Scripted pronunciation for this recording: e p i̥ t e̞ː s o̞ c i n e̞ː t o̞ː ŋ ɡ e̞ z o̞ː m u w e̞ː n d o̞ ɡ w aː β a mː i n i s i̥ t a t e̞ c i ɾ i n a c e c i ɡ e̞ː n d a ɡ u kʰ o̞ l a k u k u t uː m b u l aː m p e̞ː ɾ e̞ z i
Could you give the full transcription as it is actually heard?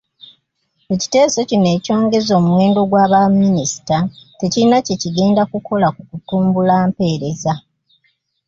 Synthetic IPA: e c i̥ t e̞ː s o̞ c i n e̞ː c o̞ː ŋ ɡ e̞ z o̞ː m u w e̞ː n d o̞ ɡ w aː β a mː i n i s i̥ t a t e̞ c i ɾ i n a c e c i ɡ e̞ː n d a k u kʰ o̞ l a k u k u t uː m b u l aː m p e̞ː ɾ e̞ z a